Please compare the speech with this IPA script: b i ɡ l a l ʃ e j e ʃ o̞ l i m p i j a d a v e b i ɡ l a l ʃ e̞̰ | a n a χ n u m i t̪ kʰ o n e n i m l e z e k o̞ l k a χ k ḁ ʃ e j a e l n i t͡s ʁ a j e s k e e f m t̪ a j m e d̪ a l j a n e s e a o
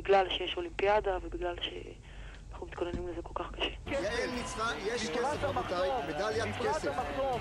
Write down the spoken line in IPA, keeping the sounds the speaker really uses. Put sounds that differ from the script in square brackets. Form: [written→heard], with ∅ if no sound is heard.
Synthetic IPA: b i ɡ l a l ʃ e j e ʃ o̞ l i m p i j a d a v e b i ɡ l a l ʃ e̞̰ | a n a χ n u m i t̪ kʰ o n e n i m l e z e k o̞ l k a χ k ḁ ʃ e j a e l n i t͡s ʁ a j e [s→ʃ] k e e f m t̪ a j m e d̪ a l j a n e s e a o